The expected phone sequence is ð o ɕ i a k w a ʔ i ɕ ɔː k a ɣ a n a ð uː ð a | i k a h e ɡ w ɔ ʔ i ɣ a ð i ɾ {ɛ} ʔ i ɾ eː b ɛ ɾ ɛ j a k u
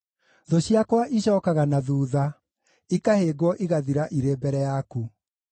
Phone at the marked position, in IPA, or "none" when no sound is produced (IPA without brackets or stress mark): a